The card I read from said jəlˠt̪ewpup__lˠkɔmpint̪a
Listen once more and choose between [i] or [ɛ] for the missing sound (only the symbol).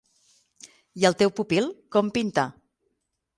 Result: i